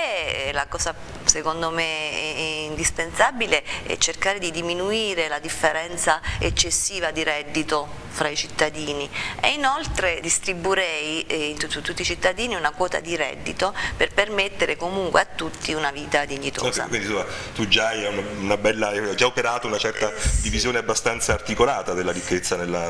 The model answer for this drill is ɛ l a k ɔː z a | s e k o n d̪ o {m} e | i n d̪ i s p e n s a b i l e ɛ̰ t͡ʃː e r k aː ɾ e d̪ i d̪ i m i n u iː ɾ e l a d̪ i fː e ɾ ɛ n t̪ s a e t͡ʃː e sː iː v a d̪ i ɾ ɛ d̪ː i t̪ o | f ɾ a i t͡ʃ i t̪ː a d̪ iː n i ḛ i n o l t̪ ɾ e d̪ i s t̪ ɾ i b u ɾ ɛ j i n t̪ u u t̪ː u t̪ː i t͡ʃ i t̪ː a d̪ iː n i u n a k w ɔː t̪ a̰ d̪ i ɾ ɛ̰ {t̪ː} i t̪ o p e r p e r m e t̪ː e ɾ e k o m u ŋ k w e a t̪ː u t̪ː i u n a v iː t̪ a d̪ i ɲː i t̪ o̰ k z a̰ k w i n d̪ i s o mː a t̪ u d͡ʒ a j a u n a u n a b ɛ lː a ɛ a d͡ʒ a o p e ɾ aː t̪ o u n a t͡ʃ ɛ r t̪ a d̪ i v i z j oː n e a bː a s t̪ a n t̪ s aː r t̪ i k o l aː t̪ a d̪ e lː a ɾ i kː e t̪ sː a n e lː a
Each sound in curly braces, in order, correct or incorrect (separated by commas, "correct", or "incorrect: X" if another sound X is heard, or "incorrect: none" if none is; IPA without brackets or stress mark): correct, incorrect: d̪ː